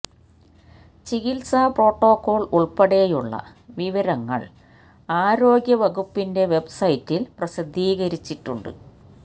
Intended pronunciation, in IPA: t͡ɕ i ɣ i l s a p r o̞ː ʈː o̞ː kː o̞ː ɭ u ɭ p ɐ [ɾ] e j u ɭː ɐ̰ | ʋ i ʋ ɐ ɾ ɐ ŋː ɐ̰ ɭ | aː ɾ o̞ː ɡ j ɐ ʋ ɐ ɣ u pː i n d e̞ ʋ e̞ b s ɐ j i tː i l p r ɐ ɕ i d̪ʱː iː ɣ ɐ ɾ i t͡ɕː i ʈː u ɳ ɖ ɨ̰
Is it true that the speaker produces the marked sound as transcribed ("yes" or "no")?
no